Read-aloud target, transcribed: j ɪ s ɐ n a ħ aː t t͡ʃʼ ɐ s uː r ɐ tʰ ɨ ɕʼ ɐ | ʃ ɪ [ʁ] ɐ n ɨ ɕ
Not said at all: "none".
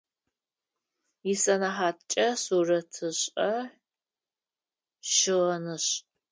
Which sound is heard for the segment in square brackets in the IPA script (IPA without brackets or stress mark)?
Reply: ʁ